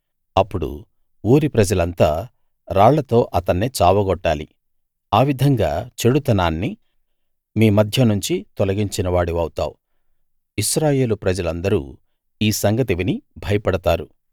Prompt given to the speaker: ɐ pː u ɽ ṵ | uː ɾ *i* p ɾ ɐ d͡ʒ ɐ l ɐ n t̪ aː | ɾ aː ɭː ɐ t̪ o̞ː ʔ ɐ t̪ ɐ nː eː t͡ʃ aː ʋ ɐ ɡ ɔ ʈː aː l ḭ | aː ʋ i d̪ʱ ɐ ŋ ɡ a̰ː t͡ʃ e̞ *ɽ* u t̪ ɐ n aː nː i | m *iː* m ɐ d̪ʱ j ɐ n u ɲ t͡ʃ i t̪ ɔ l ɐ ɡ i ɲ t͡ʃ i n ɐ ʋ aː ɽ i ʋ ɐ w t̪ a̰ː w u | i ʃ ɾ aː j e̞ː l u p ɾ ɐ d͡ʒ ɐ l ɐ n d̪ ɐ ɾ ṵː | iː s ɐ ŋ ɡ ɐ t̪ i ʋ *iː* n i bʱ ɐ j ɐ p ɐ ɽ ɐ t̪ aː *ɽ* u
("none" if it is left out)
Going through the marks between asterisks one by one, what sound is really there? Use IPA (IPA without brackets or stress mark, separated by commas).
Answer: i, ɽ, iː, i, ɾ